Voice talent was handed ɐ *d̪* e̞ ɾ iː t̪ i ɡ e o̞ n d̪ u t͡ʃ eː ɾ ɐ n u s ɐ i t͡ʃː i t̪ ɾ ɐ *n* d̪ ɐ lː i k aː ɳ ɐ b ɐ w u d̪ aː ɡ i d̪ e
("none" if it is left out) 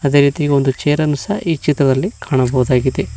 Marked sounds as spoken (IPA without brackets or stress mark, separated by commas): d̪, none